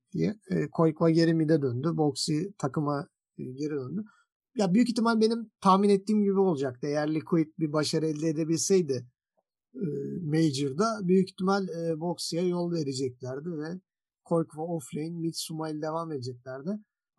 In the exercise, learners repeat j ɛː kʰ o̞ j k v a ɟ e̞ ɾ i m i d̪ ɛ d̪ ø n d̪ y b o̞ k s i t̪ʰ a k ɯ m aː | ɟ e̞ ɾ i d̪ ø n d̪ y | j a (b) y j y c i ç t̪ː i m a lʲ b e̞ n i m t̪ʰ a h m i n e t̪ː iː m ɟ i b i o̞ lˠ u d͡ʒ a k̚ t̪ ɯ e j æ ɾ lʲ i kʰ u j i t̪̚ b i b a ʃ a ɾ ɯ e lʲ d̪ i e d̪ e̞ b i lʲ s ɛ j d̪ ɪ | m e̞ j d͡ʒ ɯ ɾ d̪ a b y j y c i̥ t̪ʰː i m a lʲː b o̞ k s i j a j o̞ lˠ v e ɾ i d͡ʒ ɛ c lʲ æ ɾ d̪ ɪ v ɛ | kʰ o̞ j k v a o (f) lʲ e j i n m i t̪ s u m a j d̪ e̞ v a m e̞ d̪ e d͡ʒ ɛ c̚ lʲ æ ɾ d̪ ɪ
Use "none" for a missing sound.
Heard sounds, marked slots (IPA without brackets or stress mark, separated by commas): b, f